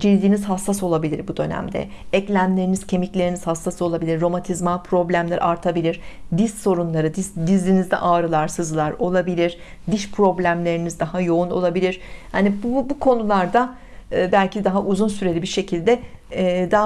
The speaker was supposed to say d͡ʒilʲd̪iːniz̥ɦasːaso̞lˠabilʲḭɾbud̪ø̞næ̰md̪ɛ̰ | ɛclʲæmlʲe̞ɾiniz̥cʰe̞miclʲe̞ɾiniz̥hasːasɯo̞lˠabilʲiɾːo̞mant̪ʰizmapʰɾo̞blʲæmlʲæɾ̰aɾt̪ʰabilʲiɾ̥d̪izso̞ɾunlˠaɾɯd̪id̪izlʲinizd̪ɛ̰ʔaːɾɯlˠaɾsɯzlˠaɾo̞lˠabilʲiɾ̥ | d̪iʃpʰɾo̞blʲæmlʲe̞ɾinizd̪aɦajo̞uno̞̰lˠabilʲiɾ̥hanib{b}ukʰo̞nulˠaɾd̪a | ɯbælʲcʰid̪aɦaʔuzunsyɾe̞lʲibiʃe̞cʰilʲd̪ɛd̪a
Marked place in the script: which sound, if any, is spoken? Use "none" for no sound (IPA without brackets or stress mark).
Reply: b